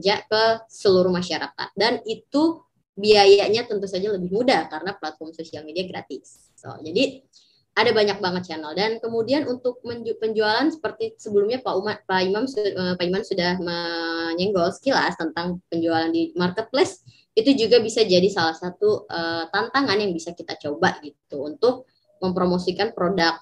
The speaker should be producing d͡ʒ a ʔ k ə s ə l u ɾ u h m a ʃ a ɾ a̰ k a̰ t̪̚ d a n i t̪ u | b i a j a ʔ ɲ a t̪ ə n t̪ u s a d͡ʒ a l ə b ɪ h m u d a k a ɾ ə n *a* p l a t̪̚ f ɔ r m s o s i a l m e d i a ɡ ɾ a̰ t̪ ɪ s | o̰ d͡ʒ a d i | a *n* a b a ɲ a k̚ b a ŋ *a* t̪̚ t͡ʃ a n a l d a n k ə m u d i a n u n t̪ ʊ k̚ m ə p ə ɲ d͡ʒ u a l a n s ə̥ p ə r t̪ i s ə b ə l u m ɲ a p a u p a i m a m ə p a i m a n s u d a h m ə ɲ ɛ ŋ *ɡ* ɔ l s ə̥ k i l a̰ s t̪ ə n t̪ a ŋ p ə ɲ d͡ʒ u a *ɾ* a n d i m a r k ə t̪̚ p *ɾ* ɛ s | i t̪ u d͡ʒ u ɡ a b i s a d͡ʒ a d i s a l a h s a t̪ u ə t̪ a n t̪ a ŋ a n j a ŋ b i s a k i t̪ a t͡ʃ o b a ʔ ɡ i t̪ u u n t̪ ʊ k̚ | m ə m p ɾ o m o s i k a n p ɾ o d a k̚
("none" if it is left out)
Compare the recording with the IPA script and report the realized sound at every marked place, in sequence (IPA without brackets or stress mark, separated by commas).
a, d, ə, ɡ, l, l